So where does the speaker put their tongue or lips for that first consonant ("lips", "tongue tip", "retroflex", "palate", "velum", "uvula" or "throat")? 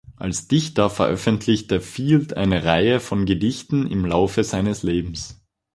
throat